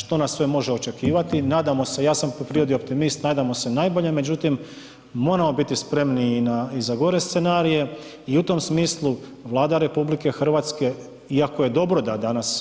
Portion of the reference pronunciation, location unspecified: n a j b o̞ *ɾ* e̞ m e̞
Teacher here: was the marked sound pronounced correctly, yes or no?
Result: no